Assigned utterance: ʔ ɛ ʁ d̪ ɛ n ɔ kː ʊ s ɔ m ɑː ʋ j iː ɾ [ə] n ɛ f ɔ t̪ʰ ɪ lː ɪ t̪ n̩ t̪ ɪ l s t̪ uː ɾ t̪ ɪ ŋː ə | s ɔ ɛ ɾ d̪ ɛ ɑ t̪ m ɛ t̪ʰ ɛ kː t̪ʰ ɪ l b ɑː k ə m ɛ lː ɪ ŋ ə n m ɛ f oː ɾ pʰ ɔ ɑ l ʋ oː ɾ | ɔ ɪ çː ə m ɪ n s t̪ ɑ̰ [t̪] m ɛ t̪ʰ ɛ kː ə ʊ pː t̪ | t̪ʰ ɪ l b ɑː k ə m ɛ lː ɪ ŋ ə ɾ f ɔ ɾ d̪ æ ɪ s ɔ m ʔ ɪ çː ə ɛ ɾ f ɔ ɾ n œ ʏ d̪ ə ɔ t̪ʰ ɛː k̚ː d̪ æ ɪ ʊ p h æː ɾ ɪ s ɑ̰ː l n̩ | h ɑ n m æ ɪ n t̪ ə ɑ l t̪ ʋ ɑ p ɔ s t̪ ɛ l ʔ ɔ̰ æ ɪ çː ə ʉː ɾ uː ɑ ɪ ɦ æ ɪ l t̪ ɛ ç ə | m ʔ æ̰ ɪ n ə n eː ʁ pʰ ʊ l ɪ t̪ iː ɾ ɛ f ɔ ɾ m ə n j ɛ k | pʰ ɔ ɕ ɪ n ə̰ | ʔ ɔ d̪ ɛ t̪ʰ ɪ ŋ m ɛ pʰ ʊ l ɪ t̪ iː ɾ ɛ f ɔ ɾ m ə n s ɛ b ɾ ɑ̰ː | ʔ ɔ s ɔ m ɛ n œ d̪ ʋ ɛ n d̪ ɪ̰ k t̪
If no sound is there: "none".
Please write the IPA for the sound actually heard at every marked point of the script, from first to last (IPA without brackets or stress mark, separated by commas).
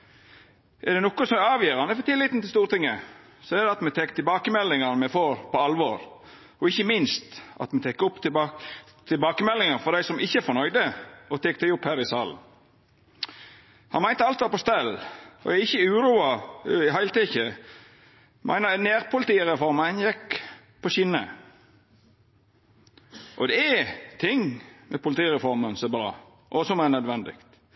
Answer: ɑ, t̪